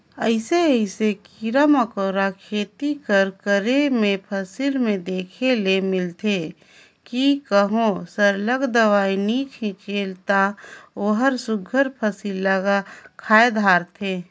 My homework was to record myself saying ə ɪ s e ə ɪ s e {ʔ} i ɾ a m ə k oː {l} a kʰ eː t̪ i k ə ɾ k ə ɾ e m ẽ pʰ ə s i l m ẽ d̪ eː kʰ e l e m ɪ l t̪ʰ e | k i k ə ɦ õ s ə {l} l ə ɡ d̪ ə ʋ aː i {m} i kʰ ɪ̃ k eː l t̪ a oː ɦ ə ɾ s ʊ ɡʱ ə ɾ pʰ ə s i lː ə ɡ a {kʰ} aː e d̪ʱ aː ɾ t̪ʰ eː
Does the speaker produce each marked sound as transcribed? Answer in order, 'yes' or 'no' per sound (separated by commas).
no, no, no, no, yes